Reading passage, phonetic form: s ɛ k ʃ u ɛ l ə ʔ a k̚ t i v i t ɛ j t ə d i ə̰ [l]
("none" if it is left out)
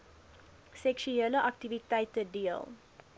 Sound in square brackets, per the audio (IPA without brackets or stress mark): l